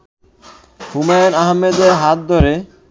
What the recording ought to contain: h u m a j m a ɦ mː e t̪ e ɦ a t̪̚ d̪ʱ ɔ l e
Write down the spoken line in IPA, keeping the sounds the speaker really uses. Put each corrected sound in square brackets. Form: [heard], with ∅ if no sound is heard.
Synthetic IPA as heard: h u m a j [n] a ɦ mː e [d̪] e ɦ a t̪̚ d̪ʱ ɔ [ɾ] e